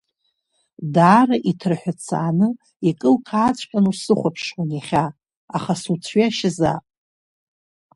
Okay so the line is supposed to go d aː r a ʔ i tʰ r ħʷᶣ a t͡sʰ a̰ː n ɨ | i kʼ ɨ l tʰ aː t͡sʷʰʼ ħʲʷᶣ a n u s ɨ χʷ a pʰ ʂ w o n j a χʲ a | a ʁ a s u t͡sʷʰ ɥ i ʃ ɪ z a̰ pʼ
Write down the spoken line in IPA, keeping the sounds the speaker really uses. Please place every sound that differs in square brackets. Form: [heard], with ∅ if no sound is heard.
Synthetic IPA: d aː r a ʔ i tʰ r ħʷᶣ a t͡sʰ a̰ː n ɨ | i kʼ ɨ l [kʰ] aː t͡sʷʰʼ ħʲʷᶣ a n u s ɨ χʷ a pʰ ʂ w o n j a χʲ a | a [χ] a s u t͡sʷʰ ɥ [a] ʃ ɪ z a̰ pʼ

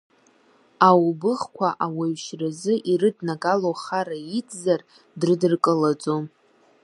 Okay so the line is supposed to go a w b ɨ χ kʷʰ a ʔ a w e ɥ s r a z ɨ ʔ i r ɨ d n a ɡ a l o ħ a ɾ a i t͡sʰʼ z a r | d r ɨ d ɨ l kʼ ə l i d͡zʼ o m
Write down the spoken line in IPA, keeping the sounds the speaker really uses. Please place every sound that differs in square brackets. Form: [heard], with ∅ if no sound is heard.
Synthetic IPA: a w b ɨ χ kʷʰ a ʔ a w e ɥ [ʃ] r a z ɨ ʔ i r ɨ d n a ɡ a l o [χ] a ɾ a i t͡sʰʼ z a r | d r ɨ d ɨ [r] kʼ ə l [a] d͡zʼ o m

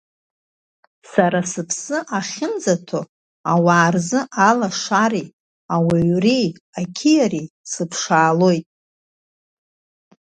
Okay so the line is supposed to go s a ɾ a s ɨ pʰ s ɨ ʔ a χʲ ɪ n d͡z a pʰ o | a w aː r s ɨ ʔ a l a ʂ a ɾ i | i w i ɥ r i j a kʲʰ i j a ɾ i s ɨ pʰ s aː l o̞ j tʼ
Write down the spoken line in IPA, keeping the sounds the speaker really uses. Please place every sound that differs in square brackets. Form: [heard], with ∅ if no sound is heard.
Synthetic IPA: s a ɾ a s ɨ pʰ s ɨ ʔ a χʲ ɪ n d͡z a [tʰ] o | a w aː r [z] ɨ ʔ a l a ʂ a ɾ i | [a] w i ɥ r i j a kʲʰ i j a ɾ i s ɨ pʰ [ʂ] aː l o̞ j tʼ

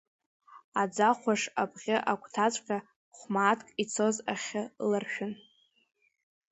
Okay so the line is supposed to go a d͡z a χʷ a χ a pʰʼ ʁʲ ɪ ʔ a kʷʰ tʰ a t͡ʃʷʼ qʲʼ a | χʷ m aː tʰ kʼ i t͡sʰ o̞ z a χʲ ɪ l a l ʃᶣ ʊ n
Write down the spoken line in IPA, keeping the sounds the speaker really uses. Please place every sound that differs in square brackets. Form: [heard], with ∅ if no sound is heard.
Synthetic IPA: a d͡z a χʷ a [ʂ] a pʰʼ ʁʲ ɪ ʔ a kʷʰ tʰ a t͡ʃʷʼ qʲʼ a | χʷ m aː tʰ kʼ i t͡sʰ o̞ z a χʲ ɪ l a [r] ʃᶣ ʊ n

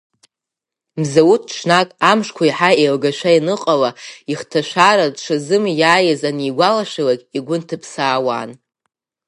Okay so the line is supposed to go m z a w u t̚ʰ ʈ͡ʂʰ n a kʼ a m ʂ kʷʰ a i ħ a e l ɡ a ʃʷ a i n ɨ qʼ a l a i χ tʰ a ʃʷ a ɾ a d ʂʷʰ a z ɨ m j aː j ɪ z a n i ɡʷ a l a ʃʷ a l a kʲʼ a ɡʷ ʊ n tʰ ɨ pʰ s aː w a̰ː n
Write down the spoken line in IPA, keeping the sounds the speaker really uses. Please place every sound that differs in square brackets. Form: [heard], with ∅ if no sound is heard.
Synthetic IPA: m z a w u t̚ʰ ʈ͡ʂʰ n a kʼ a m ʂ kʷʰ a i ħ a e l ɡ a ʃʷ a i n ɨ qʼ a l a i χ tʰ a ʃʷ a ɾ a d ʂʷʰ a z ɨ m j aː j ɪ z a n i ɡʷ a l a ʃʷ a l a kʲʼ [i] ɡʷ ʊ n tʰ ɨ pʰ s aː w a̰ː n

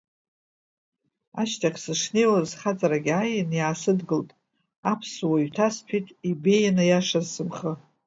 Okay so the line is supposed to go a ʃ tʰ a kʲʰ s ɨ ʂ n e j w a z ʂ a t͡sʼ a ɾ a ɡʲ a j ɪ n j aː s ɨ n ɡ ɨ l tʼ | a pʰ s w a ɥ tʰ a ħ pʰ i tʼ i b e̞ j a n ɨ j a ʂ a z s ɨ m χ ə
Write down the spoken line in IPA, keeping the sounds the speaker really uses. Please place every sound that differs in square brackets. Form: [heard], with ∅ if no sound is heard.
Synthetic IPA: a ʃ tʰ a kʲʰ s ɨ ʂ n e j w a z [χ] a t͡sʼ a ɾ a ɡʲ a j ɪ n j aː s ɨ [d] ɡ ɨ l tʼ | a pʰ s w a ɥ tʰ a [s] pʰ i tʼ i b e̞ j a n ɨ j a ʂ a z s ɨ m χ ə

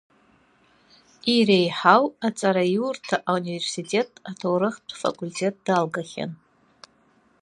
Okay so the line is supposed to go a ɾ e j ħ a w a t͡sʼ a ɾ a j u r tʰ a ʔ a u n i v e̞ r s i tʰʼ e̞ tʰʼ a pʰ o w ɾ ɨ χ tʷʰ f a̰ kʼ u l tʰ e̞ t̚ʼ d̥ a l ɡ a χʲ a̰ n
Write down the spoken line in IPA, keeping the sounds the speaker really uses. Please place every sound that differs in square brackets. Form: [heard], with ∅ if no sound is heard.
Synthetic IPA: [i] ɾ e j ħ a w a t͡sʼ a ɾ a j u r tʰ a ʔ a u n i v e̞ r s i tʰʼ e̞ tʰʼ a [tʰ] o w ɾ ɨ χ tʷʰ f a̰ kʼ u l tʰ e̞ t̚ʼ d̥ a l ɡ a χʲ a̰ n

